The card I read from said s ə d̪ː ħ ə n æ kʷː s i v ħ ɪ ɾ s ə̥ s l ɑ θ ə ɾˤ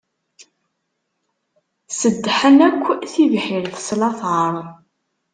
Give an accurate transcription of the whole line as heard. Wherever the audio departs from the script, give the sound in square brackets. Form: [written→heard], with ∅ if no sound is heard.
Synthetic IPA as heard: s ə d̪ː ħ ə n æ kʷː [s→θ] i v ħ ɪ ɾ [s→θ] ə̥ s l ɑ θ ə ɾˤ